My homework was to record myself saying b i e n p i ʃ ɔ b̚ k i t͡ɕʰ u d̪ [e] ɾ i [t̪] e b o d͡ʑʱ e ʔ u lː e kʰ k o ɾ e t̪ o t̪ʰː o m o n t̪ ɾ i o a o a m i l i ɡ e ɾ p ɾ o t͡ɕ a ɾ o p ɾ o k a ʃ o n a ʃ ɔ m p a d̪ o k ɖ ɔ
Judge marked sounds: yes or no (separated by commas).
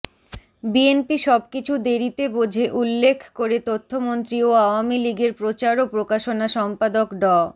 yes, yes